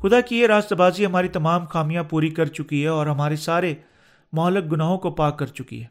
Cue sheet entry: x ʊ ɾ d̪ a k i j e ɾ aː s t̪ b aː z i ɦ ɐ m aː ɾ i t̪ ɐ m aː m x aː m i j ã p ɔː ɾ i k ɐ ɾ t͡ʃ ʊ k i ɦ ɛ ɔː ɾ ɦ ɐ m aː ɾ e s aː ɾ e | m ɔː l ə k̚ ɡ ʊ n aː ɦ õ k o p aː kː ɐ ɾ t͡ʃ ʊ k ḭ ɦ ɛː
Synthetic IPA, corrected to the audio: x ʊ d̪ a k i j e ɾ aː s t̪ b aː z i ɦ ɐ m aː ɾ i t̪ ɐ m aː m x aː m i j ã p uː ɾ i k ɐ ɾ t͡ʃ ʊ k i ɦ ɛ ɔː ɾ ɦ ɐ m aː ɾ e s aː ɾ e | m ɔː l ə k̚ ɡ ʊ n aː ɦ õ k o p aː kː ɐ ɾ t͡ʃ ʊ k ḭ ɦ ɛː